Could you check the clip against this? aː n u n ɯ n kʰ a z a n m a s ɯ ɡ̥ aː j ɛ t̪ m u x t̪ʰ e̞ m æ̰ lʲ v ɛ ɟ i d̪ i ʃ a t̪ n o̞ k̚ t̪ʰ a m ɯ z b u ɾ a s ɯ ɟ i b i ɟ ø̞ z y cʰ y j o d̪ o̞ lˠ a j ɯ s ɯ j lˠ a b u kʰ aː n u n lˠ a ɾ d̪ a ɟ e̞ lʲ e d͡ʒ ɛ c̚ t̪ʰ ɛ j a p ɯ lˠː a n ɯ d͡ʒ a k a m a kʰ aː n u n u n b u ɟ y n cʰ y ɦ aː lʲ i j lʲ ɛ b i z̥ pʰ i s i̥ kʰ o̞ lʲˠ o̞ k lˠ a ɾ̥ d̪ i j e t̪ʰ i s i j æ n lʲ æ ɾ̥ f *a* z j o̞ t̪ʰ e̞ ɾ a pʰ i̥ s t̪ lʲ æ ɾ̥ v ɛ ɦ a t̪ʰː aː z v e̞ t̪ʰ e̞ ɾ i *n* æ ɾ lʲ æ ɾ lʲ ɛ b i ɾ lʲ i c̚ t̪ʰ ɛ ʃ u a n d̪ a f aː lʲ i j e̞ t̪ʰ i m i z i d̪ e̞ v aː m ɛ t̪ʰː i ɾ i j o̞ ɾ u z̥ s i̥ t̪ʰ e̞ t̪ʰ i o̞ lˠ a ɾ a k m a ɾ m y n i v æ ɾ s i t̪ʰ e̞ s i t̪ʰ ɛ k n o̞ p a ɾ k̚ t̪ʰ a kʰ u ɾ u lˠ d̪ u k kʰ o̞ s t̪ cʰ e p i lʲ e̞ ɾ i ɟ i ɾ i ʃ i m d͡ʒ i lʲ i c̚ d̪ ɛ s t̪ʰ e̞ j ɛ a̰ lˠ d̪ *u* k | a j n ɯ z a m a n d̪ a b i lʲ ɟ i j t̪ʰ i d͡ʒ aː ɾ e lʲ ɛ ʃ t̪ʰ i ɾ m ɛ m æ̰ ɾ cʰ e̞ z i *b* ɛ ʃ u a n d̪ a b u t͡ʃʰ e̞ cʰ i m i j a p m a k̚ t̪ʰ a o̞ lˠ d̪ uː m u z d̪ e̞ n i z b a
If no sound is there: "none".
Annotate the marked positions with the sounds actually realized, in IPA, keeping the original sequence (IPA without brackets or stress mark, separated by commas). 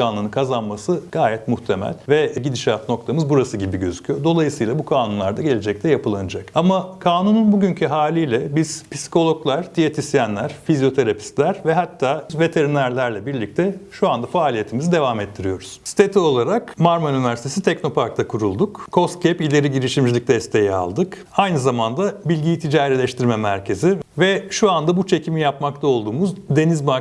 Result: i, n, ɯ, v